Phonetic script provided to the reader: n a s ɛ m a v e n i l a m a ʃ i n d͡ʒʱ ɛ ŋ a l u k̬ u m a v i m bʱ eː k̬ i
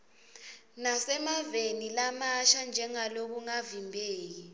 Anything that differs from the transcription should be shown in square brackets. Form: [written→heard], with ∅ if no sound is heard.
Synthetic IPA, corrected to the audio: n a s ɛ m a v e n i l a m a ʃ [i→a] n d͡ʒʱ ɛ ŋ a l [u→o] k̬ u [m→ŋ] a v i m bʱ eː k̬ i